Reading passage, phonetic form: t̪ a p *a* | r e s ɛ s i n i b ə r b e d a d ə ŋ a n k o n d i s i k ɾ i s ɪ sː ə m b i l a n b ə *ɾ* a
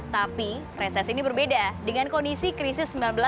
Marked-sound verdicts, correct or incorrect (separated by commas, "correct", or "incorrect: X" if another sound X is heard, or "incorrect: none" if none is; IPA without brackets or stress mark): incorrect: i, incorrect: l